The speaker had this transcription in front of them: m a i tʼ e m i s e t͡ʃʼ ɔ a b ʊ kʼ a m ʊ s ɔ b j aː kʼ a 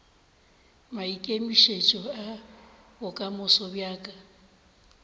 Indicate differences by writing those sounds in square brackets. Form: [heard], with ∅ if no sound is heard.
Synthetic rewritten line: m a i [kʼ] e m i [ʃ] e t͡ʃʼ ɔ a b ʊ kʼ a m ʊ s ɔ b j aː kʼ a